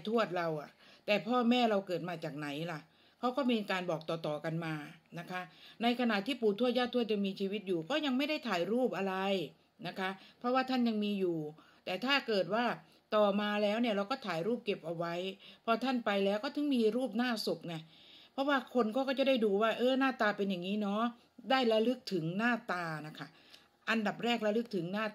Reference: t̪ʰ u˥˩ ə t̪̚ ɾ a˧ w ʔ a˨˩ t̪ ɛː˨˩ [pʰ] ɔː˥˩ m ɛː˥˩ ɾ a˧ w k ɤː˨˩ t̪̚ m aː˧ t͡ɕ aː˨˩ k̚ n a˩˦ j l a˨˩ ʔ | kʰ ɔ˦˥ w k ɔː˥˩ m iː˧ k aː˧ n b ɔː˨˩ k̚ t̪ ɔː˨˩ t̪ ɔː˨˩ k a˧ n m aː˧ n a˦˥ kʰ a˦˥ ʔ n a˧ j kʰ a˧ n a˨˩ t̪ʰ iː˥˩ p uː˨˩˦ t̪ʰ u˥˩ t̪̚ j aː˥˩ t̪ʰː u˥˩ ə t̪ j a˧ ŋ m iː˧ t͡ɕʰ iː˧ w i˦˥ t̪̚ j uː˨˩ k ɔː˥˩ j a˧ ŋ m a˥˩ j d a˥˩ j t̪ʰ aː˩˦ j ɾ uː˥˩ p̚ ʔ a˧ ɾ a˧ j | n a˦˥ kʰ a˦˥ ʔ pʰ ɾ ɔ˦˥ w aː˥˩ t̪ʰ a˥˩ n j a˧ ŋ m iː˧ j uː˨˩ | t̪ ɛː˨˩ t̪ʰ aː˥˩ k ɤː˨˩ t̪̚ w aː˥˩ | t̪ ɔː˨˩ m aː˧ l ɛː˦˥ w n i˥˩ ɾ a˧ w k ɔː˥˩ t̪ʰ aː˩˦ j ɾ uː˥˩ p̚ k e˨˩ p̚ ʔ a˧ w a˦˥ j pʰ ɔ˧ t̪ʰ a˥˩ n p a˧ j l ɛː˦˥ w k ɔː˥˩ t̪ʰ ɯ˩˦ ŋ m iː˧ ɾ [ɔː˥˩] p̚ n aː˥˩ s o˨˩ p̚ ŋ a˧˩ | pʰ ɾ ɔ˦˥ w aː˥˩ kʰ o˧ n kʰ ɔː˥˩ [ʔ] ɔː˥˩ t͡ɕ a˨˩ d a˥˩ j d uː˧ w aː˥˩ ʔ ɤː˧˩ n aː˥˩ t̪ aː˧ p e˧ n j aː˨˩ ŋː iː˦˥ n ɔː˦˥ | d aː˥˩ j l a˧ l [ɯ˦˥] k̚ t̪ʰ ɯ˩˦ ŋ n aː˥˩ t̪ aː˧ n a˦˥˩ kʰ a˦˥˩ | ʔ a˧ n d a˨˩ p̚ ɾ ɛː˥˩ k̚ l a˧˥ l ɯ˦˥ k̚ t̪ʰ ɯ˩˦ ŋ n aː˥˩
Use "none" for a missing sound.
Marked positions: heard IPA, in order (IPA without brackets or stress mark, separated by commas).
pʰ, uː˥˩, k, ɯ˦˥